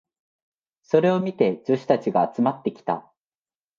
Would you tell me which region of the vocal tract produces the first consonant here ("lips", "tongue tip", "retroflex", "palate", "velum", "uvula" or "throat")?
tongue tip